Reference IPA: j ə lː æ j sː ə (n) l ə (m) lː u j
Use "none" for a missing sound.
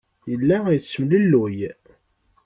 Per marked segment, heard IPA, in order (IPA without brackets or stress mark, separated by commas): m, none